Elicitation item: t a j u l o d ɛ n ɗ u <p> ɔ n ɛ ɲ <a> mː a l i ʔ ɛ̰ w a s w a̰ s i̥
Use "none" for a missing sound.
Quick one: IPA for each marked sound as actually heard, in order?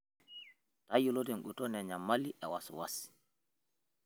t, a

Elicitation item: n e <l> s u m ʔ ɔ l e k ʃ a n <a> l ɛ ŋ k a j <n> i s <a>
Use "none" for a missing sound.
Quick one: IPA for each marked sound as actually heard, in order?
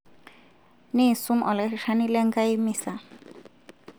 none, i, m, a

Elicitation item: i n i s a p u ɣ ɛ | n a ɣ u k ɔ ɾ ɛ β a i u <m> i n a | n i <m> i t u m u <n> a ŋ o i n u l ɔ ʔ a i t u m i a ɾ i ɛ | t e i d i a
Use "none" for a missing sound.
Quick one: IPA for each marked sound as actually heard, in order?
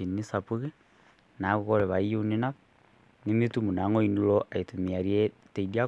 n, m, n

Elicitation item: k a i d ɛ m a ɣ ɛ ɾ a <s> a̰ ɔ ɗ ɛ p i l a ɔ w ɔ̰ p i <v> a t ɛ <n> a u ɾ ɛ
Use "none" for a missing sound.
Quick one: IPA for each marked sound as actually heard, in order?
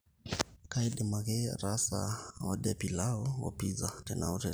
s, z, n

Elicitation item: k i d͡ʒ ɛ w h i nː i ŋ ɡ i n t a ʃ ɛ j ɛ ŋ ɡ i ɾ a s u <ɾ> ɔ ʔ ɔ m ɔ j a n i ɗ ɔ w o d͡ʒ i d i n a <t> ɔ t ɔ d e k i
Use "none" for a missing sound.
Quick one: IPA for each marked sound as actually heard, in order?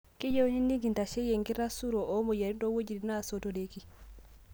ɾ, s

